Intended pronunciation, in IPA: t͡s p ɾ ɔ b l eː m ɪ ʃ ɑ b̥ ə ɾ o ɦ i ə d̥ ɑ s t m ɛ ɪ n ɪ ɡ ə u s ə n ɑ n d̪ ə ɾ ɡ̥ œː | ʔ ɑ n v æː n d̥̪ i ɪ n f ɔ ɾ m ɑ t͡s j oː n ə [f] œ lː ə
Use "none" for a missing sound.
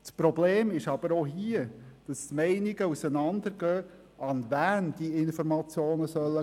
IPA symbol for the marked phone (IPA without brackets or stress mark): s